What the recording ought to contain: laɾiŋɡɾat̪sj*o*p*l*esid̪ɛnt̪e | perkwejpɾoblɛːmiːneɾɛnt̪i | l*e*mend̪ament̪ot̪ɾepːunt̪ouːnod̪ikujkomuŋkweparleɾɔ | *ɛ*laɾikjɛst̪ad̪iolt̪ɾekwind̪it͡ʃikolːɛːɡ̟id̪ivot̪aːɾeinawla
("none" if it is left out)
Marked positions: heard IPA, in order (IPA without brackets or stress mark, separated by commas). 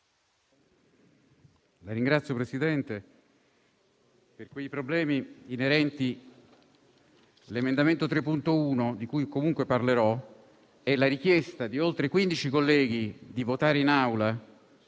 o, ɾ, e, ɛ